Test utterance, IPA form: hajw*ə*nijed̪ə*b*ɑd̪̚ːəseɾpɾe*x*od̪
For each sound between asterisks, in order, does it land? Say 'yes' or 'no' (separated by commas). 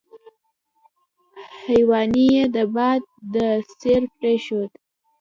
no, yes, no